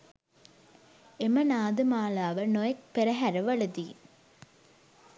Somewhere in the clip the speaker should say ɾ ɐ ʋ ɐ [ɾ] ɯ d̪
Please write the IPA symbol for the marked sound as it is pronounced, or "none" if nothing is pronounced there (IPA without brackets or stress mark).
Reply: ɭ